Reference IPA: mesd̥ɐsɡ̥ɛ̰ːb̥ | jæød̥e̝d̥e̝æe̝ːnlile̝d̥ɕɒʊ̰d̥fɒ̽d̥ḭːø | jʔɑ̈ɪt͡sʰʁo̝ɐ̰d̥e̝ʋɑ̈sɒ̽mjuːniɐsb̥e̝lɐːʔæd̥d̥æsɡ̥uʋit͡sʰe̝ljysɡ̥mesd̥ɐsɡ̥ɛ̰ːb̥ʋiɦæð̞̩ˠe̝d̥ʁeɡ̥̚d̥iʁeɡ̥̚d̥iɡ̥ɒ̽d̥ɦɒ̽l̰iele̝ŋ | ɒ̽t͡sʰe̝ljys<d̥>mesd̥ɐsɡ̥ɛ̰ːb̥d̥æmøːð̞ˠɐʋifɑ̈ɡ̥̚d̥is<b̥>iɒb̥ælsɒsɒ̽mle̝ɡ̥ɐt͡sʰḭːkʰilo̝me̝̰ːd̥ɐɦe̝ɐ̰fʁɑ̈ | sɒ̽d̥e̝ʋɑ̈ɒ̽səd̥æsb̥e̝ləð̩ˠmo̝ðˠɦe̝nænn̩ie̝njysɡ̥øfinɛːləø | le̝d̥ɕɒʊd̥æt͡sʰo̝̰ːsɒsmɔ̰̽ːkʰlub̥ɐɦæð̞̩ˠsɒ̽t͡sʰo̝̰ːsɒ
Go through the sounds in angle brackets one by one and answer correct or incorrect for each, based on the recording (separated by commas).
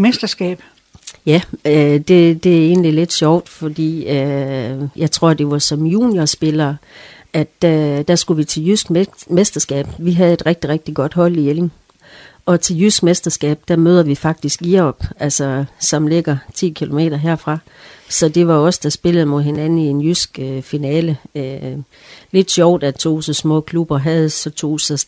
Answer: incorrect, incorrect